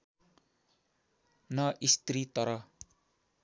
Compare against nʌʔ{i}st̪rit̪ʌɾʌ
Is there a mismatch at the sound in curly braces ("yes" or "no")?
no